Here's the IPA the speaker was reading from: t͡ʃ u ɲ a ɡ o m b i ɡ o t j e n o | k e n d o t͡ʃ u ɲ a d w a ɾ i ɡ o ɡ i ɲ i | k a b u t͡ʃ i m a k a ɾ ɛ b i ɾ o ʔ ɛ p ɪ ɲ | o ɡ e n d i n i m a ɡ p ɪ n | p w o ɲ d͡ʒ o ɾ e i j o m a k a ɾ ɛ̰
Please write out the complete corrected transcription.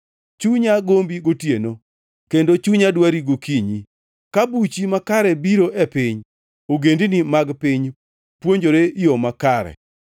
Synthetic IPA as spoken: t͡ʃ u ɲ a ɡ o m b i ɡ o t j e n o | k e n d o t͡ʃ u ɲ a d w a ɾ i ɡ o k i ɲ i | k a b u t͡ʃ i m a k a ɾ ɛ b i ɾ o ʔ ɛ p ɪ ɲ | o ɡ e n d i n i m a ɡ p ɪ ɲ | p w o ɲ d͡ʒ o ɾ e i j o m a k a ɾ ɛ̰